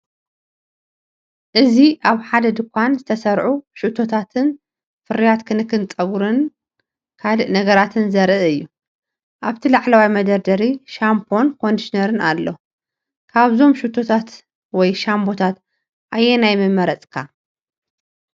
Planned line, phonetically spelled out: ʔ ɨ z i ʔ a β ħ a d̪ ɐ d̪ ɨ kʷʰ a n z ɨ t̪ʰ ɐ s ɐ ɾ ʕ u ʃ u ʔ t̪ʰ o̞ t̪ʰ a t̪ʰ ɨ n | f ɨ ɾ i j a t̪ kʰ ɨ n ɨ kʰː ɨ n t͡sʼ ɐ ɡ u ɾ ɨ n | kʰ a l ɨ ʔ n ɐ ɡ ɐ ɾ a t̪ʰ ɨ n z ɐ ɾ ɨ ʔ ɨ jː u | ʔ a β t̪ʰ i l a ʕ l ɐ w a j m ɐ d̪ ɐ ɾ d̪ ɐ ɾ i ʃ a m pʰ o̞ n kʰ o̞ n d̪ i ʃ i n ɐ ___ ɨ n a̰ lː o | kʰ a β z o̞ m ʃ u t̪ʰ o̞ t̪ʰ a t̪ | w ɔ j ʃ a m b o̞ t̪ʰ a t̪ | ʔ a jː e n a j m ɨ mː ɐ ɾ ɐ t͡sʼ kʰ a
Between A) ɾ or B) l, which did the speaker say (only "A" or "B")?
A